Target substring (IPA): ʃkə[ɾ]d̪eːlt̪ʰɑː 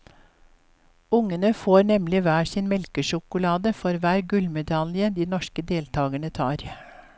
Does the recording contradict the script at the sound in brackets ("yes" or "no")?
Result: yes